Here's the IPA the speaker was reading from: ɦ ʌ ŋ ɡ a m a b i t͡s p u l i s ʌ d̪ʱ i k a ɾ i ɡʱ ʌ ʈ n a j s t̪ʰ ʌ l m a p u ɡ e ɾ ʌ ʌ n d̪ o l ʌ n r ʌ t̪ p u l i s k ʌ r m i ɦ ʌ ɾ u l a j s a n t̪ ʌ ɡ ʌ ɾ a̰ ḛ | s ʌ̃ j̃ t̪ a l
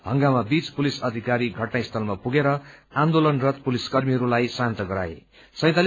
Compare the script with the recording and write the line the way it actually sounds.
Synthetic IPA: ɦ ʌ ŋ ɡ a m a b i t͡s p u l i s ʌ d̪ʱ i k a ɾ i ɡʱ ʌ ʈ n a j s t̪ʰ ʌ l m a p u ɡ e ɾ ʌ a n d̪ o l ʌ n r ʌ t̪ p u l i s k ʌ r m i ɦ ʌ ɾ u l a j s a n t̪ ʌ ɡ ʌ ɾ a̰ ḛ | s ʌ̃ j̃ t̪ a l